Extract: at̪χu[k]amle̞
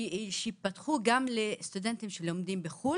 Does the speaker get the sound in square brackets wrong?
yes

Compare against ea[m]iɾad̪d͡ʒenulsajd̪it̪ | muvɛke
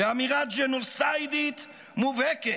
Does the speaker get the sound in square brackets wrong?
no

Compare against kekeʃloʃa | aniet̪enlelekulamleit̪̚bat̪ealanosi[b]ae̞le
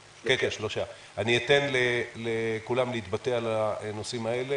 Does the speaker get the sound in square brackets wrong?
yes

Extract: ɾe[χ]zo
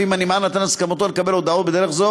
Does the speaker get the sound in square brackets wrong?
no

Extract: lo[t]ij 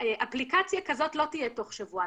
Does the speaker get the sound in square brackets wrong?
no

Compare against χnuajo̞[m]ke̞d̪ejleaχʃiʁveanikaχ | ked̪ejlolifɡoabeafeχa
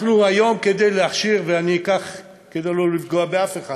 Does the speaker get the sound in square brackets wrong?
no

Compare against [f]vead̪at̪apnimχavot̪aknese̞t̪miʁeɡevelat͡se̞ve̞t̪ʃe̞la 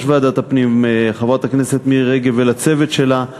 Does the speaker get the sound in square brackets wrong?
yes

